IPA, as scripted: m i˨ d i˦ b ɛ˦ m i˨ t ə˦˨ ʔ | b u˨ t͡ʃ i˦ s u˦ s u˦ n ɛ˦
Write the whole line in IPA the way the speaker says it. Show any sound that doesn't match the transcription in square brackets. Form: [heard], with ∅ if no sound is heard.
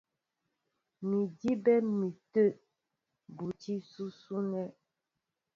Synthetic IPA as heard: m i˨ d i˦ b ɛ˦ m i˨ t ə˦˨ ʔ | b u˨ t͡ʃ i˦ s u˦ s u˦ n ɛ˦